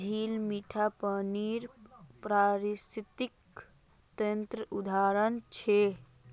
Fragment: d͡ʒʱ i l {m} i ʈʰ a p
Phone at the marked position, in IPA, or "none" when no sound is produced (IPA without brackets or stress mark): m